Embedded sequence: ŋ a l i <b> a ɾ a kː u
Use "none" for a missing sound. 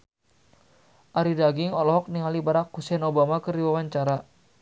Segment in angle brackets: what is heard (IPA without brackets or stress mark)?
b